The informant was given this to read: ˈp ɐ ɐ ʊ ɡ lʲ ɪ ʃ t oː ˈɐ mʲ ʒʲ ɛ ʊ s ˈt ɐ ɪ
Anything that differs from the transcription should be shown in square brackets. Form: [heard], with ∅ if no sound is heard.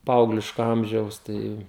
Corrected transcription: ˈp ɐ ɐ ʊ ɡ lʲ ɪ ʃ [k] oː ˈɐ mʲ ʒʲ ɛ ʊ s ˈt ɐ ɪ